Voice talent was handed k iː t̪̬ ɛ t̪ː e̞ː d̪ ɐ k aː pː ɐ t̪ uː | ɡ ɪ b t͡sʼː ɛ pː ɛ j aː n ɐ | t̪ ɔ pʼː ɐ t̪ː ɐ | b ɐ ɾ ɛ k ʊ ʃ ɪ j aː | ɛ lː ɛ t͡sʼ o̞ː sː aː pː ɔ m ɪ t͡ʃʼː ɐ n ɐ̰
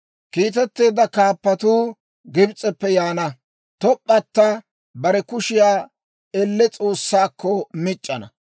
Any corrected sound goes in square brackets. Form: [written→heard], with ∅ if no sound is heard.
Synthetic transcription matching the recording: k iː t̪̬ ɛ t̪ː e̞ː d̪ ɐ k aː pː ɐ t̪ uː | ɡ ɪ b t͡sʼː ɛ pː ɛ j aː n ɐ | t̪ ɔ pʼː ɐ t̪ː ɐ | b ɐ ɾ ɛ k ʊ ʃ ɪ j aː | ɛ lː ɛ t͡sʼ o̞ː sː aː [pː→kː] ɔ m ɪ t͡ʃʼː ɐ n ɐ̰

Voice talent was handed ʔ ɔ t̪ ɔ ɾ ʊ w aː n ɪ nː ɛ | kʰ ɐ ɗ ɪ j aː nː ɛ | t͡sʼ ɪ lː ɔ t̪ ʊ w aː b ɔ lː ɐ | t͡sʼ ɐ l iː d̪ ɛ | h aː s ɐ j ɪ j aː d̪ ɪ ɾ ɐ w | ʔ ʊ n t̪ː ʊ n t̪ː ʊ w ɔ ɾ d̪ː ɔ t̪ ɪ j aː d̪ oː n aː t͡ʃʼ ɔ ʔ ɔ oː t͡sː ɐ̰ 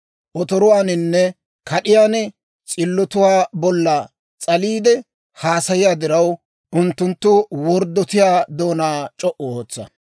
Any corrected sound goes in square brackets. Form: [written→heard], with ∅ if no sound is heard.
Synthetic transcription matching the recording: ʔ ɔ t̪ ɔ ɾ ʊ w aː n ɪ nː ɛ | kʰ ɐ ɗ ɪ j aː [nː→n] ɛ | t͡sʼ ɪ lː ɔ t̪ ʊ w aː b ɔ lː ɐ | t͡sʼ ɐ l iː d̪ ɛ | h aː s ɐ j ɪ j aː d̪ ɪ ɾ ɐ w | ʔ ʊ n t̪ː ʊ n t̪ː ʊ w ɔ ɾ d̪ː ɔ t̪ ɪ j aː d̪ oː n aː t͡ʃʼ ɔ ʔ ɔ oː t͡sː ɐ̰

